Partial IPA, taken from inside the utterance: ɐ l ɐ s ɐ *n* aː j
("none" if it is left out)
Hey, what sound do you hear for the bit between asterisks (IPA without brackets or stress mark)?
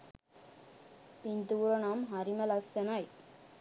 n